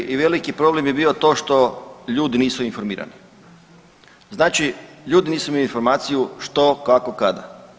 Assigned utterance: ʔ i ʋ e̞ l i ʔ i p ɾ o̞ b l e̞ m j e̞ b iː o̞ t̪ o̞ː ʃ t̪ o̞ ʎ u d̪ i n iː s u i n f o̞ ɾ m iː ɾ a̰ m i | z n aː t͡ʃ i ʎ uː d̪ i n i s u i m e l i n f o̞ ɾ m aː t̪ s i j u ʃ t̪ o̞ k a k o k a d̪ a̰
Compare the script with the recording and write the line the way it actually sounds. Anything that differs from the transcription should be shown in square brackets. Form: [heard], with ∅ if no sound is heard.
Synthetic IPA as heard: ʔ i ʋ e̞ l i [k] i p ɾ o̞ b l e̞ m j e̞ b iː o̞ t̪ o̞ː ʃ t̪ o̞ ʎ [uː] d̪ i n iː s u i n f o̞ ɾ m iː ɾ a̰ [n] i | z n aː t͡ʃ i ʎ uː d̪ i n [iː] s u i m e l i n f o̞ ɾ m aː t̪ s i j u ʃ t̪ o̞ k a k o k a d̪ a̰

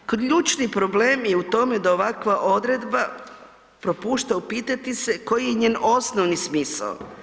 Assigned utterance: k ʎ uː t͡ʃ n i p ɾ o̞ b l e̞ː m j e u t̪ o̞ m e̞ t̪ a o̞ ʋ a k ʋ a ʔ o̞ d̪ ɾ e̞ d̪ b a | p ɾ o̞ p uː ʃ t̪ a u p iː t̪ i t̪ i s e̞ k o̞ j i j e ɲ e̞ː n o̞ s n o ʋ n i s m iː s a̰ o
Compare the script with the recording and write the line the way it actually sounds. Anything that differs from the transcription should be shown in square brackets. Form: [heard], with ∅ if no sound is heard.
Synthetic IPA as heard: k ʎ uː t͡ʃ n i p ɾ o̞ b l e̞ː m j e u t̪ o̞ m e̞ [d̪] a o̞ ʋ a k ʋ a ʔ o̞ d̪ ɾ e̞ d̪ b a | p ɾ o̞ p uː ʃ t̪ a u p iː t̪ [a] t̪ i s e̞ k o̞ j i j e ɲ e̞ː n o̞ s n o ʋ n i s m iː s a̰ o

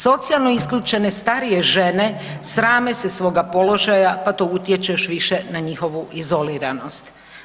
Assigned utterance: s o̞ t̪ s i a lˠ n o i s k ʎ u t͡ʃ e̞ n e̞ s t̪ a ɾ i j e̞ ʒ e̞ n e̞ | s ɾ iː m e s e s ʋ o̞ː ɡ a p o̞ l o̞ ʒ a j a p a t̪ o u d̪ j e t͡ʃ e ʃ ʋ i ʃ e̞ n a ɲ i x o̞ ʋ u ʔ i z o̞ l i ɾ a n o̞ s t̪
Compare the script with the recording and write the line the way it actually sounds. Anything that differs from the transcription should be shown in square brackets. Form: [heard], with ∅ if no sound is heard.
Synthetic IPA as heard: s o̞ t̪ s i a lˠ n o i s k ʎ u t͡ʃ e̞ n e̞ s t̪ a ɾ i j e̞ ʒ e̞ n e̞ | s ɾ [aː] m e s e s ʋ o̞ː ɡ a p o̞ l o̞ ʒ a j a p a t̪ o u [t̪] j e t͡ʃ e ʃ ʋ i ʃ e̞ n a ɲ i x o̞ ʋ u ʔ i z o̞ l i ɾ a n o̞ s t̪

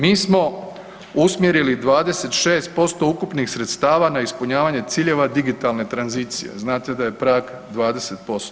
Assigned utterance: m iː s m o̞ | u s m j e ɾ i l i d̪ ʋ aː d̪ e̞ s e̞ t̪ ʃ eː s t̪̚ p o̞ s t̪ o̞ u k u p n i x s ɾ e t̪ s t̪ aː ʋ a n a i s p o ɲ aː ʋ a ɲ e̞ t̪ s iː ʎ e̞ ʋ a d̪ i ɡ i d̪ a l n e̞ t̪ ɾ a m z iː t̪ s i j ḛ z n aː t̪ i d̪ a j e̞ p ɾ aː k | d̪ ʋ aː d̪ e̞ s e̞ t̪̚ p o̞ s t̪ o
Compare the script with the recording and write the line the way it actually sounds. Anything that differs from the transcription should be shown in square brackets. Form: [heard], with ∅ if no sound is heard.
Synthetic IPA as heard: m iː s m o̞ | u s m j e ɾ i l i d̪ ʋ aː d̪ e̞ s e̞ t̪ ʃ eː s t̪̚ p o̞ s t̪ o̞ u k u p n i x s ɾ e t̪ s t̪ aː ʋ a n a i s p [u] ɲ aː ʋ a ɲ e̞ t̪ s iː ʎ e̞ ʋ a d̪ i ɡ i [t̪] a l n e̞ t̪ ɾ a [n] z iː t̪ s i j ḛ z n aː t̪ [e] d̪ a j e̞ p ɾ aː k | d̪ ʋ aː d̪ e̞ s e̞ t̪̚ p o̞ s t̪ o

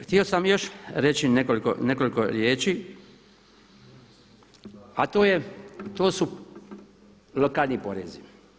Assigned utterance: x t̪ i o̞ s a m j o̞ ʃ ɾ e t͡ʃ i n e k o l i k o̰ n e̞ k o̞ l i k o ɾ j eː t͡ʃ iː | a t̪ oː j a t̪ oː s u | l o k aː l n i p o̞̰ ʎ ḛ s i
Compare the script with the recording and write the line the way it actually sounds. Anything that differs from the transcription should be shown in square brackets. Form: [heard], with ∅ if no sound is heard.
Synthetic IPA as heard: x t̪ i o̞ s a m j o̞ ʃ ɾ e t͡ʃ i n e k o l i k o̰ n e̞ k o̞ l i k o ɾ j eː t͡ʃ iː | a t̪ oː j [e] t̪ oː s u | l o k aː l n i p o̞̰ [ɾ] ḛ [z] i

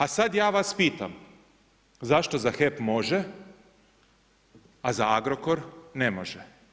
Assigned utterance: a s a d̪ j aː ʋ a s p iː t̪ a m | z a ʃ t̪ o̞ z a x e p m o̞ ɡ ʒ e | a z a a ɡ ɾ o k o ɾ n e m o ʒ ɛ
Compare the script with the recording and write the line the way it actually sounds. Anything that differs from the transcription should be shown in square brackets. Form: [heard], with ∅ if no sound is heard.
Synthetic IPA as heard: a s a d̪ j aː ʋ a s p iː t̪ a m | z a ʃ t̪ o̞ z a x e p m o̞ [∅] ʒ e | a z a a ɡ ɾ o k o ɾ n e m o ʒ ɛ

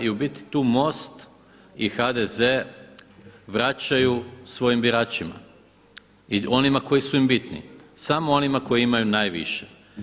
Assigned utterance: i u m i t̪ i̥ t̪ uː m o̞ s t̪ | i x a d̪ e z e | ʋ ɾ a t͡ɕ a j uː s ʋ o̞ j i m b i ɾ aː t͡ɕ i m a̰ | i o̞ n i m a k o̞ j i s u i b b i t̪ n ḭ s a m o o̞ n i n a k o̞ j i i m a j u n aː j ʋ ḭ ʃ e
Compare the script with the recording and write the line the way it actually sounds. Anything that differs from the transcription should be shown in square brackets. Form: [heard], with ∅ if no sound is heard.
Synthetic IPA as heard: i u [b] i t̪ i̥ t̪ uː m o̞ s t̪ | i x a d̪ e z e | ʋ ɾ a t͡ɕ a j [u] s ʋ o̞ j i m b i ɾ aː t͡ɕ i m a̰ | i o̞ n i m a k o̞ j i s u i [m] b i t̪ n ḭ s a m o o̞ n i [m] a k o̞ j i i m a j u n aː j ʋ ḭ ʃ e

